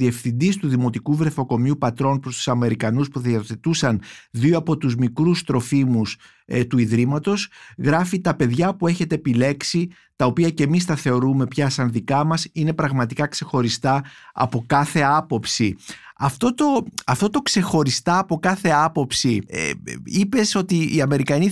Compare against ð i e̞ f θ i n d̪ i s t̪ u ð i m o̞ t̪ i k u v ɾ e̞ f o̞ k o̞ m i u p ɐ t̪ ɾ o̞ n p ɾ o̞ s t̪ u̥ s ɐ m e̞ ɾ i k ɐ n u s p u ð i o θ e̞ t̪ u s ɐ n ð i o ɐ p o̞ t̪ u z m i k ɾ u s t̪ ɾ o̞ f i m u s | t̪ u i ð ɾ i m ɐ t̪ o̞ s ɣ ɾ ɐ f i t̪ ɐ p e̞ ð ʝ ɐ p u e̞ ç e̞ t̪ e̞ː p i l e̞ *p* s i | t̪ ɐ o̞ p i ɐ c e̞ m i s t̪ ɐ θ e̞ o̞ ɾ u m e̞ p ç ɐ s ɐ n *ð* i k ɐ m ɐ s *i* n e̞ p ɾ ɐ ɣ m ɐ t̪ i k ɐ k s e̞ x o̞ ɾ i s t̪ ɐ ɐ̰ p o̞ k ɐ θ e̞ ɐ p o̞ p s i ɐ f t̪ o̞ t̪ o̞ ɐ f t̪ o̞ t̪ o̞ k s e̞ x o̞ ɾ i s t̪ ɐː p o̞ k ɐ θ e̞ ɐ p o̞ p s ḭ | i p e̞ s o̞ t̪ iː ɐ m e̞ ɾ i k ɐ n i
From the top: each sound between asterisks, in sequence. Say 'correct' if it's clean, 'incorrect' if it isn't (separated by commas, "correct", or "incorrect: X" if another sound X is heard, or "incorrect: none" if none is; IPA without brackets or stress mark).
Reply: incorrect: k, correct, correct